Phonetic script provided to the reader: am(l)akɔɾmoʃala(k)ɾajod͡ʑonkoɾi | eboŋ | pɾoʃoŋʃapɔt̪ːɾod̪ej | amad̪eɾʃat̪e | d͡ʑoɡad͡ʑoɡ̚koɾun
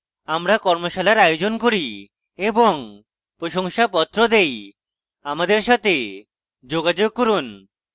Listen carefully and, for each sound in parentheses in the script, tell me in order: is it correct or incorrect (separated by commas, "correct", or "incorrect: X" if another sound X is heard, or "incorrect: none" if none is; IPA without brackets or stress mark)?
incorrect: ɾ, incorrect: none